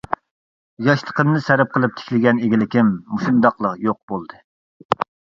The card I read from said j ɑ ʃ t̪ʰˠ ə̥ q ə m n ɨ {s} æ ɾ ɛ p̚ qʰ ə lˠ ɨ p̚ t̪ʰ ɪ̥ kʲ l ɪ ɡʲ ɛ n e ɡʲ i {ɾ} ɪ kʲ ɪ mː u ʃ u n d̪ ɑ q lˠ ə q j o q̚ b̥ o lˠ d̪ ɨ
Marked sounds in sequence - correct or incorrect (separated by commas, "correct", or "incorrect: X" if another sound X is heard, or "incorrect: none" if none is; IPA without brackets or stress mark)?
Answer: correct, incorrect: l